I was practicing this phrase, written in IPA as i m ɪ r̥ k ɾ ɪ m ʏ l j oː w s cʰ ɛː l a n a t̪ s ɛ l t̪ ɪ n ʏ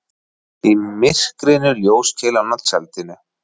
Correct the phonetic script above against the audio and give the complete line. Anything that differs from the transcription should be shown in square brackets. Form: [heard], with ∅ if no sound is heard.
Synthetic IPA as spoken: i m ɪ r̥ k ɾ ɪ [n] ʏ l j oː w s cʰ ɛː l a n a t̪ s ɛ l t̪ ɪ n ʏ